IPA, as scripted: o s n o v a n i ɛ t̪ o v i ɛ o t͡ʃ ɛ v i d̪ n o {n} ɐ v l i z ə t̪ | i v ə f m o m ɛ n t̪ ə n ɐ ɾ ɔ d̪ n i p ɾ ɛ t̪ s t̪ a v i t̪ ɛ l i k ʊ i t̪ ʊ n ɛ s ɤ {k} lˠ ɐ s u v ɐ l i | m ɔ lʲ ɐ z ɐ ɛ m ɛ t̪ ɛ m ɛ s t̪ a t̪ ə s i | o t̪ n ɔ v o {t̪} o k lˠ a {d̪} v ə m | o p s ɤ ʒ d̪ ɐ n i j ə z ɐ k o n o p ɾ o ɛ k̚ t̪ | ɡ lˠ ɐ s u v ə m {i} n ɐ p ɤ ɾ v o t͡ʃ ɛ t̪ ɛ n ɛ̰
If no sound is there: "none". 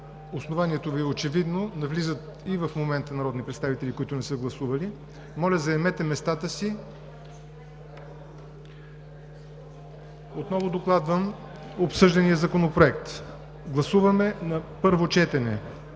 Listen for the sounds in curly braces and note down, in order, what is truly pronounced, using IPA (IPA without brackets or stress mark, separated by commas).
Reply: n, ɡ, d̪, d̪, ɛ